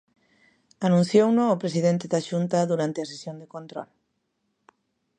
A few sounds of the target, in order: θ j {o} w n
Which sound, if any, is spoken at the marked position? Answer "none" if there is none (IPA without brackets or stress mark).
o